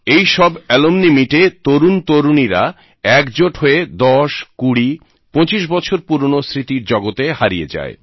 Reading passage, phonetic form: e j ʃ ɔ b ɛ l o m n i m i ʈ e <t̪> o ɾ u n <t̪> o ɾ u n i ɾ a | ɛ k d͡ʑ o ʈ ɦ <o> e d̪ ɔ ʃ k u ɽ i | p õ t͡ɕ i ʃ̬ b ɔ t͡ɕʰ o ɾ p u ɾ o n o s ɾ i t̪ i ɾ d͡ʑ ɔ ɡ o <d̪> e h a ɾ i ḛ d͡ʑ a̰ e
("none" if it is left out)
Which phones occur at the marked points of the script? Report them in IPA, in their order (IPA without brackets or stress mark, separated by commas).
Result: t̪, t̪, o, t̪